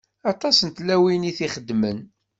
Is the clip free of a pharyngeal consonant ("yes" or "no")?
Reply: yes